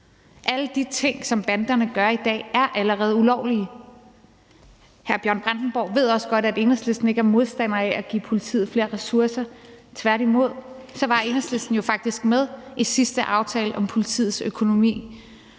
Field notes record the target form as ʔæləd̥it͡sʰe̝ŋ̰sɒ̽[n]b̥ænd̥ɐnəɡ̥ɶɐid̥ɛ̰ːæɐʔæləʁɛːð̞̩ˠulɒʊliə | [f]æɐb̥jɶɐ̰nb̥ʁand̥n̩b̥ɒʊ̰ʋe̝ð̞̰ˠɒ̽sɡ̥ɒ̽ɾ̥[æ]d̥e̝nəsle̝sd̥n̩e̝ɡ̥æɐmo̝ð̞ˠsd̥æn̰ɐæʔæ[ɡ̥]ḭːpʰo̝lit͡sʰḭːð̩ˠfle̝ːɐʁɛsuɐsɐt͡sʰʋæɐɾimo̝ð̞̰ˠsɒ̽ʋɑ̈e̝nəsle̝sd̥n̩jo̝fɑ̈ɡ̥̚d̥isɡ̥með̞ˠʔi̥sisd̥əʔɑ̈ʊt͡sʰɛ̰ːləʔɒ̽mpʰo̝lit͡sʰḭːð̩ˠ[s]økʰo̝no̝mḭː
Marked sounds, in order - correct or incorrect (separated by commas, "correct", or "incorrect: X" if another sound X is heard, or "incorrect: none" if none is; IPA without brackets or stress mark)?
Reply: incorrect: m, incorrect: h, correct, correct, correct